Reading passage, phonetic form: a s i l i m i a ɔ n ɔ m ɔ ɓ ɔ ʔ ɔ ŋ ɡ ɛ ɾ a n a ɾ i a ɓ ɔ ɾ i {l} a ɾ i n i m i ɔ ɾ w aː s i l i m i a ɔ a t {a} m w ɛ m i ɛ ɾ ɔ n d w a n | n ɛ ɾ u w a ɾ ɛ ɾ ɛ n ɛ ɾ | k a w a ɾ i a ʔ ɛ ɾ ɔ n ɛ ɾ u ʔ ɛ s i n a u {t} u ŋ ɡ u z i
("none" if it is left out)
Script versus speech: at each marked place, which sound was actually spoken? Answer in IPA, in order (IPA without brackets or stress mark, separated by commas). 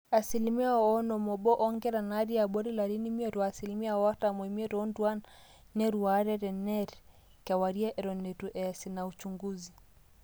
l, a, t͡ʃ